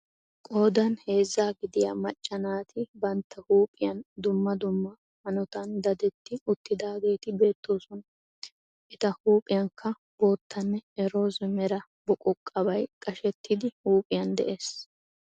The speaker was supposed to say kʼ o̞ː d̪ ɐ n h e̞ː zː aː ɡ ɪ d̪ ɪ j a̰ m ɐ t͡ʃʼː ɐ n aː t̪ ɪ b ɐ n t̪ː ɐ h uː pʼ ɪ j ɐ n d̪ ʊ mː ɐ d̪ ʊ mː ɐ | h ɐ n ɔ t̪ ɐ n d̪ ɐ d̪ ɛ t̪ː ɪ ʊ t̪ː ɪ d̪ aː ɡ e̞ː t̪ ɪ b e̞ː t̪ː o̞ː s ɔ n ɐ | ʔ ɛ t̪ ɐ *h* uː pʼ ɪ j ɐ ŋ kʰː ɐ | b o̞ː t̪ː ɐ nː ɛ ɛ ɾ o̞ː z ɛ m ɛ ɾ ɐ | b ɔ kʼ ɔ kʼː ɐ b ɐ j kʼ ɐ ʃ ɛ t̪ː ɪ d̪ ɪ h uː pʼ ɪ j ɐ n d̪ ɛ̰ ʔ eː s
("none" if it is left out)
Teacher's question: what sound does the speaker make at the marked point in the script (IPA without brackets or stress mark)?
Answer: h